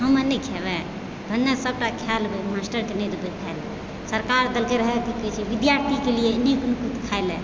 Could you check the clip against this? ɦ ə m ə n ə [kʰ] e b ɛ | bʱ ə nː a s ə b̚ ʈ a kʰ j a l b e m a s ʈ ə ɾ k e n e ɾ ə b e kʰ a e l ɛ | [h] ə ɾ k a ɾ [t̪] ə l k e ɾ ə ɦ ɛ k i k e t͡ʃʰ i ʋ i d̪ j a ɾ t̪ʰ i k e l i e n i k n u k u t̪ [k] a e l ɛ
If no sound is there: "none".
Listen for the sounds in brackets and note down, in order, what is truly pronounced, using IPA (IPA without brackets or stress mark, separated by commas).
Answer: kʰ, s, d̪, kʰ